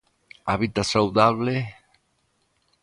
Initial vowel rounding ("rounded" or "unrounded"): unrounded